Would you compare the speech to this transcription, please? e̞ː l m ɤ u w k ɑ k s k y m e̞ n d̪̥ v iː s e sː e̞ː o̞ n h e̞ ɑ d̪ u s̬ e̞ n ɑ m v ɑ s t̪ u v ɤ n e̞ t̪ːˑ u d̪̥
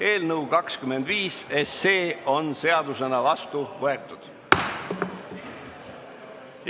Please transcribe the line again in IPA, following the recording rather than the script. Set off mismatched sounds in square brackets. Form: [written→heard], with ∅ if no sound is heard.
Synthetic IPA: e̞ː l [m→n] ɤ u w k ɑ k s k y m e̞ n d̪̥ v iː s e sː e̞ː o̞ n [h→s] e̞ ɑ d̪ u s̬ e̞ n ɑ [m→∅] v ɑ s t̪ u v ɤ [n→∅] e̞ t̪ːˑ u d̪̥

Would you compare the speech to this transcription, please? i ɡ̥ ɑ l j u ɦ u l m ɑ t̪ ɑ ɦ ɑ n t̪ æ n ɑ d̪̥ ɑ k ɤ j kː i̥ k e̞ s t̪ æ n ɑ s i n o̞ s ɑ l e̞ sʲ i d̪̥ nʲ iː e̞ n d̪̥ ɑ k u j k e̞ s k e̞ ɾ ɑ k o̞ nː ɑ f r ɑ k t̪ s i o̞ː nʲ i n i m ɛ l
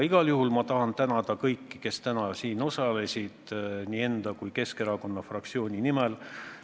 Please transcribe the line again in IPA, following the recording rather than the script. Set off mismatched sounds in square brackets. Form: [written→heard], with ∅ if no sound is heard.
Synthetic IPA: i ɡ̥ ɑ l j u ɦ u l m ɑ t̪ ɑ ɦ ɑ n t̪ æ n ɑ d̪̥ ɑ k ɤ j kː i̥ k e̞ s t̪ æ n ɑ s [i→iː] n o̞ s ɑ l e̞ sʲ i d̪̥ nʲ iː e̞ n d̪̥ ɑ k u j k e̞ s k e̞ ɾ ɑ k o̞ nː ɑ f r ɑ k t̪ s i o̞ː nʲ i n i m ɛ l

